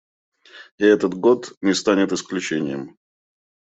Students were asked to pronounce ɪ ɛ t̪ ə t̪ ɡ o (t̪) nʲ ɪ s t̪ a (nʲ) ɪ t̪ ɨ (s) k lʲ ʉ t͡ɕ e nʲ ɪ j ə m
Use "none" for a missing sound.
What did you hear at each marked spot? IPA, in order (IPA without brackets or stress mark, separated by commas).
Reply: t̪, nʲ, s